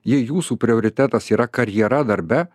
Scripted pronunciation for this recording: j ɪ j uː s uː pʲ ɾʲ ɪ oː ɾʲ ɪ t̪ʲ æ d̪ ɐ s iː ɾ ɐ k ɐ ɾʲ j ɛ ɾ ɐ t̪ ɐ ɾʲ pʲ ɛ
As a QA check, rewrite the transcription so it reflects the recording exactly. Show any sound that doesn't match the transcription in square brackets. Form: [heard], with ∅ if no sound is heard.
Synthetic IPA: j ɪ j uː s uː pʲ ɾʲ ɪ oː ɾʲ ɪ t̪ʲ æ [t̪] ɐ s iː ɾ ɐ k ɐ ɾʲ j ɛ ɾ ɐ [d̪] ɐ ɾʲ [bʲ] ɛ